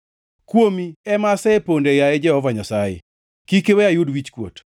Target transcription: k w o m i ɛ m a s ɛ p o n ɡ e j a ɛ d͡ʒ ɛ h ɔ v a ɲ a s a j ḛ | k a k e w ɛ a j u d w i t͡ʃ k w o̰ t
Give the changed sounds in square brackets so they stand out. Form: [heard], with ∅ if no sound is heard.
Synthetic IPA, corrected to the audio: k w o m i ɛ m a s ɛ p o n [d] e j a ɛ d͡ʒ ɛ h ɔ v a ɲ a s a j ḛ | k [i] k e w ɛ a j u d w i t͡ʃ k w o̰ t